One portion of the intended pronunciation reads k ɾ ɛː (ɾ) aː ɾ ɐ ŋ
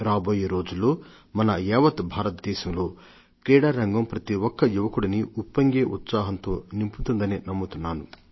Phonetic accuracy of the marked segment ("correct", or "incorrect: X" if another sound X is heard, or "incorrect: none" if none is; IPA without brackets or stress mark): incorrect: ɽ